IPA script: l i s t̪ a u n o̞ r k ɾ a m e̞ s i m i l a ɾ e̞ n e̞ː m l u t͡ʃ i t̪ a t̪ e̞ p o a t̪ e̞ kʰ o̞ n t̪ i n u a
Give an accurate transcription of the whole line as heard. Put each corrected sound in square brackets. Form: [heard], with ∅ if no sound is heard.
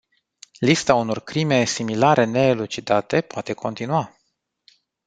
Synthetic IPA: l i s t̪ a u n o̞ r k ɾ [i] m e̞ s i m i l a ɾ e̞ n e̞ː [∅] l u t͡ʃ i [d̪] a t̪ e̞ p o a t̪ e̞ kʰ o̞ n t̪ i n u a

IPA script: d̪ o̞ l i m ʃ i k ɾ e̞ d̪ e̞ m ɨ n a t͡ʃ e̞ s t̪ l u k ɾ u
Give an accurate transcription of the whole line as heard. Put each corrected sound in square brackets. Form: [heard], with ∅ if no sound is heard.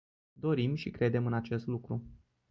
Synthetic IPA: d̪ o̞ [ɾ] i m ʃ i k ɾ e̞ d̪ e̞ m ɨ n a t͡ʃ e̞ s t̪ l u k ɾ u

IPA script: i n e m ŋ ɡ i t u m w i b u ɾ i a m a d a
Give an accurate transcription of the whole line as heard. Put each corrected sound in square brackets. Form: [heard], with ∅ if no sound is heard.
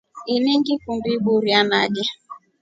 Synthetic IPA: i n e [∅] ŋ ɡ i [k] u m [b] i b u ɾ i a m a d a

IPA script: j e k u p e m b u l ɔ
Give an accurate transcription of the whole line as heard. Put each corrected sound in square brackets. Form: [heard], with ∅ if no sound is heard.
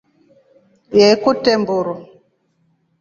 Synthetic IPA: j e k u [t] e m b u [ɾ] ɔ

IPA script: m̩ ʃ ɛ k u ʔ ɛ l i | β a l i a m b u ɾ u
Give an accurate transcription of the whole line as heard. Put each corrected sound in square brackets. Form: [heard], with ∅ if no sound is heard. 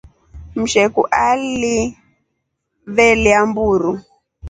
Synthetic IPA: m̩ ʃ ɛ k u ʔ [a] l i | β [ɛ] l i a m b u ɾ u

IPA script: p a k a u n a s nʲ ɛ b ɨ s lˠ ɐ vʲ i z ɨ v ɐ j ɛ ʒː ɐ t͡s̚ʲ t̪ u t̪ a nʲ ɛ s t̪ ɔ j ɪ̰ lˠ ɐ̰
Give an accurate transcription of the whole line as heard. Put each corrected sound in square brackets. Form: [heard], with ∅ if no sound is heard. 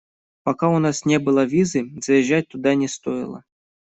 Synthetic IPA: p a k a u n a s nʲ ɛ b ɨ [∅] lˠ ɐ vʲ i z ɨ [z] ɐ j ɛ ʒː [a] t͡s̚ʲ t̪ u [d̪] a nʲ ɛ s t̪ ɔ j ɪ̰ lˠ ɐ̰

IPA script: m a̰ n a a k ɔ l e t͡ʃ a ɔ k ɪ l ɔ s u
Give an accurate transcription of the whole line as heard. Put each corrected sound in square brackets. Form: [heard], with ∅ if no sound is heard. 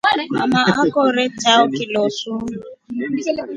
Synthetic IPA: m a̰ [m] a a k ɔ [ɾ] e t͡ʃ a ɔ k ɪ l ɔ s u

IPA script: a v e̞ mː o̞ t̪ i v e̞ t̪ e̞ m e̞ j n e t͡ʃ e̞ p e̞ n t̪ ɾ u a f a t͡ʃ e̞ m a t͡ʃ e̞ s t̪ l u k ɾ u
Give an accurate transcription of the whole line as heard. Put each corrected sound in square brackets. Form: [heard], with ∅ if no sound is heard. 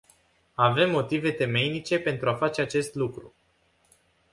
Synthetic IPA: a v e̞ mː o̞ t̪ i v e̞ t̪ e̞ m e̞ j n [i] t͡ʃ e̞ p e̞ n t̪ ɾ u a f a t͡ʃ e̞ [∅] a t͡ʃ e̞ s t̪ l u k ɾ u

